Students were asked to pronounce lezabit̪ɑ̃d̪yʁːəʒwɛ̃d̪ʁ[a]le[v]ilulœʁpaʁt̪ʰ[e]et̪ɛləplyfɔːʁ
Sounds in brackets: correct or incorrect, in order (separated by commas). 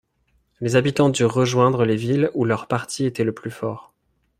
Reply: incorrect, correct, incorrect